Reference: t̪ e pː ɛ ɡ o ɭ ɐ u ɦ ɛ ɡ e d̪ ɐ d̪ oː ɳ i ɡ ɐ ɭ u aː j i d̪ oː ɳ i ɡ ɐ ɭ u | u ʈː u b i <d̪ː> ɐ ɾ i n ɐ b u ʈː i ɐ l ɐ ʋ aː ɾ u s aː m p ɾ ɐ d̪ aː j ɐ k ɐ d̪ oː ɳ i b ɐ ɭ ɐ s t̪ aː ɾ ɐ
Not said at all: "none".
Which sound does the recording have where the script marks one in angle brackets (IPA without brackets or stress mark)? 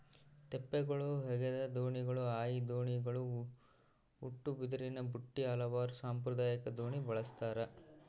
d̪